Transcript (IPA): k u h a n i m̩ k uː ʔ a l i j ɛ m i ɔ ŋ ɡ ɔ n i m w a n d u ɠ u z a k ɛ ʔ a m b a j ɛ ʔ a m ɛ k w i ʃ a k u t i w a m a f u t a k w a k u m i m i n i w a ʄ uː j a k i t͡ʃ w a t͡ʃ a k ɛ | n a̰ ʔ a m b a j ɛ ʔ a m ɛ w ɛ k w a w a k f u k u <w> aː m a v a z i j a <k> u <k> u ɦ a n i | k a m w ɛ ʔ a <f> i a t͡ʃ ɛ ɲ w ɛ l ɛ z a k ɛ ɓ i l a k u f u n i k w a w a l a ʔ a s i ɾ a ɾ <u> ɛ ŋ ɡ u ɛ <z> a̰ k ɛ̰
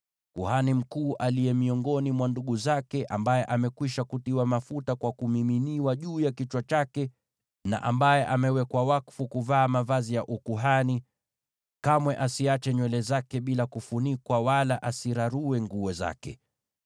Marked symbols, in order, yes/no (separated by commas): no, no, yes, no, yes, yes